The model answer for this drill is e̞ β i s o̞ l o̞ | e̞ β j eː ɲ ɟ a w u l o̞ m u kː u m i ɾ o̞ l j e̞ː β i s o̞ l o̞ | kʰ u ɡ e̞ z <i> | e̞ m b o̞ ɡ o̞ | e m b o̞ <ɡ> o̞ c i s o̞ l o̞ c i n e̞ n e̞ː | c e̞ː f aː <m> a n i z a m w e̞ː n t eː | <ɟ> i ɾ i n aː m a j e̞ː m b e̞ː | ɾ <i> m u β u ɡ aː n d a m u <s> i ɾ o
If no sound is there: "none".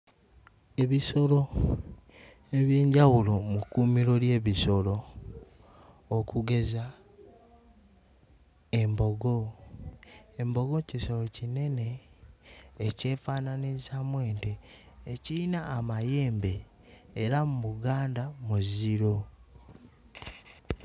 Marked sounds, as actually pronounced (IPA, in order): a, ɡ, n, c, a, z

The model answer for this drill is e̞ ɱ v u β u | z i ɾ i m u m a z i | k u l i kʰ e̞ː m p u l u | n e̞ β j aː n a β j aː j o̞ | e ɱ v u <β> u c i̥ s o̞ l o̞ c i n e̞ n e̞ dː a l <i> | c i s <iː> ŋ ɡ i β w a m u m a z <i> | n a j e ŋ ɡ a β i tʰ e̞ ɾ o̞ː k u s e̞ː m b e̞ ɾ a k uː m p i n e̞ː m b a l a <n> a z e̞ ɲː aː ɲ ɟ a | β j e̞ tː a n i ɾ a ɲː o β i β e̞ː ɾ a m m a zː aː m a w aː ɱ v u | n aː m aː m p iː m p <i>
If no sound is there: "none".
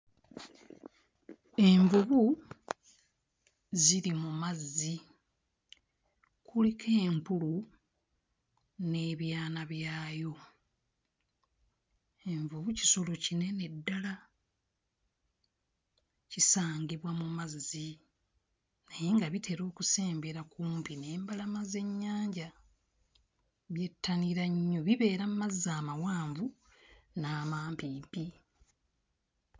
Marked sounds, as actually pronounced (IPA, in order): β, a, aː, i, m, i

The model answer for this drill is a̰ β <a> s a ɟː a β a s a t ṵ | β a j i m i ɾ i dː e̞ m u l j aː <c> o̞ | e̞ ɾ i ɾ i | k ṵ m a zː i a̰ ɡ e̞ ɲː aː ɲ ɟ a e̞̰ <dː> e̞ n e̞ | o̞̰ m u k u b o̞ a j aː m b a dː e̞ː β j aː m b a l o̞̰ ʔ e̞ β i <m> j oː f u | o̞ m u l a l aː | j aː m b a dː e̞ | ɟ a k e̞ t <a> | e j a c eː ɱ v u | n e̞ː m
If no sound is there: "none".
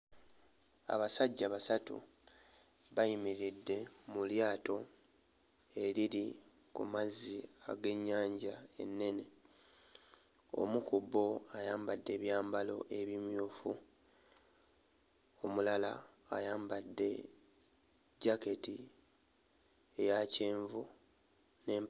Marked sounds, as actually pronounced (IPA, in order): a, t, nː, m, i

